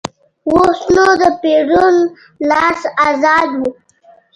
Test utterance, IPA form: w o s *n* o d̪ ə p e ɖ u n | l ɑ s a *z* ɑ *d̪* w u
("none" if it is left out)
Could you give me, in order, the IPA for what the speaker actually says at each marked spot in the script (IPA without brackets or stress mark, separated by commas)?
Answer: n, z, d̪